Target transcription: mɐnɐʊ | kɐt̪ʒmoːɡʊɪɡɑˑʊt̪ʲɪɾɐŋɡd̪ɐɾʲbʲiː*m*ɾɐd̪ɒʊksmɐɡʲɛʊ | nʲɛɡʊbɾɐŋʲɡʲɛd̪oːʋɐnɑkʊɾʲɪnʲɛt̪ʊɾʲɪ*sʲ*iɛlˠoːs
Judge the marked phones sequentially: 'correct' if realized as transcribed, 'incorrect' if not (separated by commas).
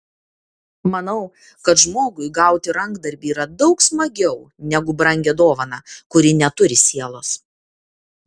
incorrect, correct